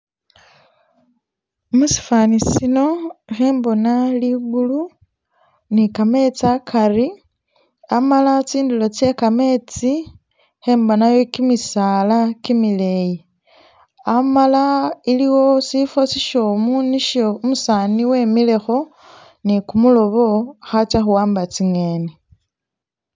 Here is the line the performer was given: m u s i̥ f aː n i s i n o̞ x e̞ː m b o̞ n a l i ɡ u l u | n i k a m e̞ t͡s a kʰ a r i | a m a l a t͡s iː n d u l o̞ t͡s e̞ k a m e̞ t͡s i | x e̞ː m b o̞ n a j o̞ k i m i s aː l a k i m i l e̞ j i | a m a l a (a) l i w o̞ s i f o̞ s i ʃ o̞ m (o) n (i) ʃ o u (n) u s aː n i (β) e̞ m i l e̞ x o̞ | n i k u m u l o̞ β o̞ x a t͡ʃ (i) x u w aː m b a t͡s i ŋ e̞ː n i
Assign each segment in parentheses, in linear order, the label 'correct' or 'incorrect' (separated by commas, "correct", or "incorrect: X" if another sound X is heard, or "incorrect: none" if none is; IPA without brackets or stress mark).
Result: incorrect: i, incorrect: u, correct, incorrect: m, incorrect: w, incorrect: a